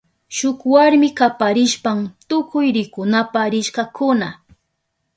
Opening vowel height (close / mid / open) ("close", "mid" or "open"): close